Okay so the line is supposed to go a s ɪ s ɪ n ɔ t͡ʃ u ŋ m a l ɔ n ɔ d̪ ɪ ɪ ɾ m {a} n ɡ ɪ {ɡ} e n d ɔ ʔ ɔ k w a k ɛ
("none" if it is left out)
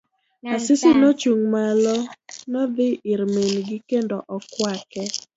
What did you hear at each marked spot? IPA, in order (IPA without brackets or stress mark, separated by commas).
e, k